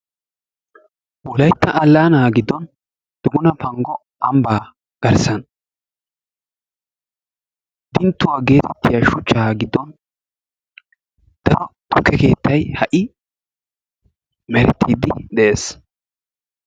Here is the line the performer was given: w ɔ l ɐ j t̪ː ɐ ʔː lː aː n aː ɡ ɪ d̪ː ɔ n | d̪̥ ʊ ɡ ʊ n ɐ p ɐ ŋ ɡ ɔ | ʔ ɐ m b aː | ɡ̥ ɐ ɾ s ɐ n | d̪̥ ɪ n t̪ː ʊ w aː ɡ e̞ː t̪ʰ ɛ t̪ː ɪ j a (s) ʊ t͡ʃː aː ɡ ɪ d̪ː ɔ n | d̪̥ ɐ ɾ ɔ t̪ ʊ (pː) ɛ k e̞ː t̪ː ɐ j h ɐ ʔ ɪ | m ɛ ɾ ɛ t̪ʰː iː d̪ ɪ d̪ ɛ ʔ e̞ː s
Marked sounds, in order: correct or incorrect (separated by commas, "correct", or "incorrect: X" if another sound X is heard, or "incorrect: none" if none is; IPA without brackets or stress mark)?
incorrect: ʃ, incorrect: kː